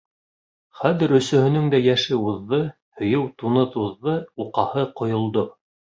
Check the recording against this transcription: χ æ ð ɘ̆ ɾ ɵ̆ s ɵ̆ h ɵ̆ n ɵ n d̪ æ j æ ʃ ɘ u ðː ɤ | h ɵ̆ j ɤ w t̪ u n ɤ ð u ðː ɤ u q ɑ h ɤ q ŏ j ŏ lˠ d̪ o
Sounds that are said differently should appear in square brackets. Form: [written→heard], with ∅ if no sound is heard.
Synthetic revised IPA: χ æ ð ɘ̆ ɾ ɵ̆ s ɵ̆ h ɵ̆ n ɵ [n→ŋ] d̪ æ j æ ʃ ɘ u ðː ɤ | h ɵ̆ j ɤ w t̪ u n ɤ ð u ðː ɤ u q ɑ h ɤ q ŏ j ŏ lˠ d̪ o